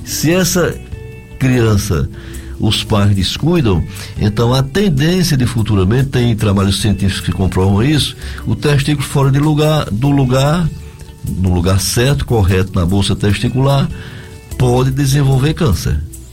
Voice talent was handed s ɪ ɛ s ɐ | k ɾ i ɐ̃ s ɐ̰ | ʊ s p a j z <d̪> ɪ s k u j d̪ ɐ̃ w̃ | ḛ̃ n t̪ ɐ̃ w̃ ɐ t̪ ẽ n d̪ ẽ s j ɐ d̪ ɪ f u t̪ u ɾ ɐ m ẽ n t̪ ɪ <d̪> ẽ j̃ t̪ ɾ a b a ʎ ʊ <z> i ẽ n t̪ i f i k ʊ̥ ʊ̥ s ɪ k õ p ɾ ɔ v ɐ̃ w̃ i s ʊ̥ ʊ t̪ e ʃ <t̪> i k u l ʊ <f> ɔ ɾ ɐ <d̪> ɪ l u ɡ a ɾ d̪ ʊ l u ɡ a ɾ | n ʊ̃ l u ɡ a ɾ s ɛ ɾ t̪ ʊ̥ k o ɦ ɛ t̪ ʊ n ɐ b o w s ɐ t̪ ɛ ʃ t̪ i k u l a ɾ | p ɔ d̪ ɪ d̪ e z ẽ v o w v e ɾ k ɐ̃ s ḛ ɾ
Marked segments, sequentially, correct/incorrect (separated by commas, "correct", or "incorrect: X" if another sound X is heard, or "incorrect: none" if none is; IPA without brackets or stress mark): correct, incorrect: t̪, incorrect: s, correct, correct, correct